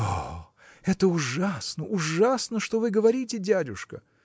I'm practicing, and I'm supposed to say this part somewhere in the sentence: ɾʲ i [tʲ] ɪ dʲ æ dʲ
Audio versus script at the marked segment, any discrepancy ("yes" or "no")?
no